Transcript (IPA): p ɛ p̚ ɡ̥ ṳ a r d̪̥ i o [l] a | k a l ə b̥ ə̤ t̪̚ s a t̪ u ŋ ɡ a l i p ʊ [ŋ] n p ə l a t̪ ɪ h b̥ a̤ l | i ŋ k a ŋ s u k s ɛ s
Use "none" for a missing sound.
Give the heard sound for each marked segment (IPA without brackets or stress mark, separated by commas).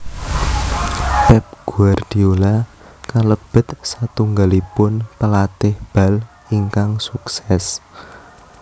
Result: l, none